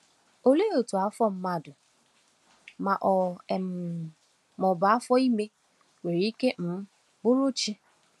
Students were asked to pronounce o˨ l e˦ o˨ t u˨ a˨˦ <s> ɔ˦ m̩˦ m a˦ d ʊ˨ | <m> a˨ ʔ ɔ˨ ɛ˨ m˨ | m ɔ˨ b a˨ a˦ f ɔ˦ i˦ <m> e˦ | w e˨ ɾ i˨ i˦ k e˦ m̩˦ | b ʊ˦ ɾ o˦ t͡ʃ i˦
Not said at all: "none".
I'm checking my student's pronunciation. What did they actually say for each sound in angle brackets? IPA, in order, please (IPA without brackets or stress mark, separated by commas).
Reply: f, m, m